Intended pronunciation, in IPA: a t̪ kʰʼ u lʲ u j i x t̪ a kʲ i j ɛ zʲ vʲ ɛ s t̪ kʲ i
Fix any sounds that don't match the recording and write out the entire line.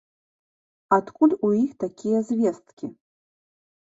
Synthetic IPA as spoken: a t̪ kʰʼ u lʲ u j i x t̪ a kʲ i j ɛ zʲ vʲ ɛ s t̪ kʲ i